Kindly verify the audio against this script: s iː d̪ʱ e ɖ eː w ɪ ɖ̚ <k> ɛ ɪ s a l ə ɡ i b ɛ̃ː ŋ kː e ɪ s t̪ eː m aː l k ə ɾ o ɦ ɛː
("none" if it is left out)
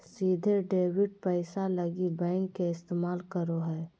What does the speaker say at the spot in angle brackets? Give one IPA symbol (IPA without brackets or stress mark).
p